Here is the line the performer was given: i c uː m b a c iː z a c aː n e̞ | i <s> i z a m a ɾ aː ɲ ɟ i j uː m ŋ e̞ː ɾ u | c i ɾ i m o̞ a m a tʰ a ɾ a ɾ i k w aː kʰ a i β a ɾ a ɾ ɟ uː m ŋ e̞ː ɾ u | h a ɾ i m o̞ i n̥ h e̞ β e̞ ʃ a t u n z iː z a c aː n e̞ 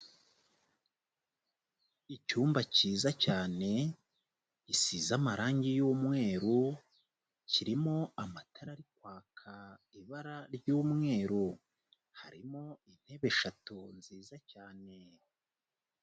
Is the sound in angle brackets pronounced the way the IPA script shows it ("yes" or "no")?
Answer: yes